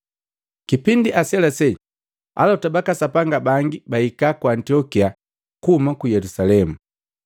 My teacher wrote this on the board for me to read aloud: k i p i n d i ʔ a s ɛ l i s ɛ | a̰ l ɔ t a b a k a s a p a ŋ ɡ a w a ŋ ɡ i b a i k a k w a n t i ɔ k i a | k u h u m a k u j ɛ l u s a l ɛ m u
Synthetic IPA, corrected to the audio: k i p i n d i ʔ a s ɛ l a s ɛ | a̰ l ɔ t a b a k a s a p a ŋ ɡ a b a ŋ ɡ i b a i k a k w a n t i ɔ k i a | k u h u m a k u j ɛ l u s a l ɛ m u